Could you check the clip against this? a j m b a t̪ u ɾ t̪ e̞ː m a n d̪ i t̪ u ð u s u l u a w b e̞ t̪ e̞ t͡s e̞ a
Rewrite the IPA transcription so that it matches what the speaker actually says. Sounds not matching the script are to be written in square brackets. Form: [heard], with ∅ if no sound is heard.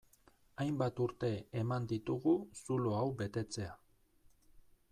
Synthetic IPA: a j m b a t̪ u ɾ t̪ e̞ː m a n d̪ i t̪ u [ɣ] u s u l [o] a w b e̞ t̪ e̞ t͡s e̞ a